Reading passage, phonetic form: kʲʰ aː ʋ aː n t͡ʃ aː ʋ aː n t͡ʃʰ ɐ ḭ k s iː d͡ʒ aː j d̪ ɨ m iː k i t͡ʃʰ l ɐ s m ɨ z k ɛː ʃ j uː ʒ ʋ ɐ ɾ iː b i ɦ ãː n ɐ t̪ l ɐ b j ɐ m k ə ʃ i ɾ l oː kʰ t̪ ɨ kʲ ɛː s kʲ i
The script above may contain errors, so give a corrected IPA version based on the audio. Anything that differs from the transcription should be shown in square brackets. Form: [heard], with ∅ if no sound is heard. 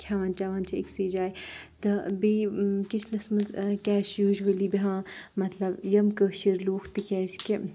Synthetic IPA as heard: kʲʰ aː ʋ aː n t͡ʃ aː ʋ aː n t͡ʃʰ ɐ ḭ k s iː d͡ʒ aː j [t̪] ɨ [b] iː k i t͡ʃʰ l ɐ s m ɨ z k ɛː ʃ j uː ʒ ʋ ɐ [l] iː b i ɦ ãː [m] ɐ t̪ l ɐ b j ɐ m k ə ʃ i ɾ l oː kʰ t̪ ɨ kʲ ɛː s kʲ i